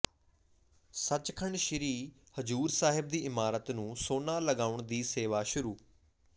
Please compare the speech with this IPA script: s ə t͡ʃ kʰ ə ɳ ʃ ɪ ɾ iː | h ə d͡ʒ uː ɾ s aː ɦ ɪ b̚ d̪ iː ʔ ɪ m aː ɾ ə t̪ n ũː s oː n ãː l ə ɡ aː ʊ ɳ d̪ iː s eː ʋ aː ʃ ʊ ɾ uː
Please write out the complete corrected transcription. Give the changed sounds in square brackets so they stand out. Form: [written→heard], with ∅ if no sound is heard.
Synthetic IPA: s ə t͡ʃ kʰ ə ɳ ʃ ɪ ɾ iː | h ə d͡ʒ uː ɾ s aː ɦ ɪ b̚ d̪ iː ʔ ɪ m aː ɾ ə t̪ n ũː s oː n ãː l ə ɡ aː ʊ ɳ d̪ iː s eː ʋ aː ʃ ʊ ɾ uː